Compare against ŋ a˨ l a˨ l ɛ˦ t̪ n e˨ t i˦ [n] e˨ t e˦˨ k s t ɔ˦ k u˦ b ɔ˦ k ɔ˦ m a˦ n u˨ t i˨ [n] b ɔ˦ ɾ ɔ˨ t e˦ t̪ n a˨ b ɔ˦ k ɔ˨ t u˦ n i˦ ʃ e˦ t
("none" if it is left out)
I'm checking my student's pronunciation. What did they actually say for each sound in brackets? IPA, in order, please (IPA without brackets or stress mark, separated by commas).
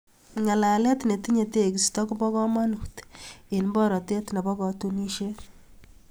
ɲ, n